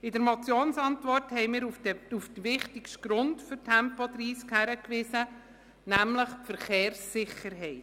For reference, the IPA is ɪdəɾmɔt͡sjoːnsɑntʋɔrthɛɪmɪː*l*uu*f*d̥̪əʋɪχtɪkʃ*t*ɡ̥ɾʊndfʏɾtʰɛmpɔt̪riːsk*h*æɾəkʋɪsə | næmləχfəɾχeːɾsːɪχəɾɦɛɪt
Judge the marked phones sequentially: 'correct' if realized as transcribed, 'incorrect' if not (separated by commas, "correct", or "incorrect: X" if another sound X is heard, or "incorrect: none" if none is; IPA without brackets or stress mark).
incorrect: ɾ, correct, correct, correct